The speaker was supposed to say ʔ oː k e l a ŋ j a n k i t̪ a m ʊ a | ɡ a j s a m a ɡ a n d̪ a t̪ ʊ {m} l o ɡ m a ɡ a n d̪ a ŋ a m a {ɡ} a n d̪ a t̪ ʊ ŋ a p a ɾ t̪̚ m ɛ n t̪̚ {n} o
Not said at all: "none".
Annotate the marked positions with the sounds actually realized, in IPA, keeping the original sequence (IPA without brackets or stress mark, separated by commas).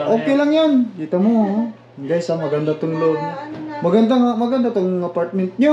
ŋ, ɡ, ɲ